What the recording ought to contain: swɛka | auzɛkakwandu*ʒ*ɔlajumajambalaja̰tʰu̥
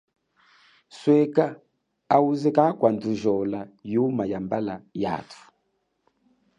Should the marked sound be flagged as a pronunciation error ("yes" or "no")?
no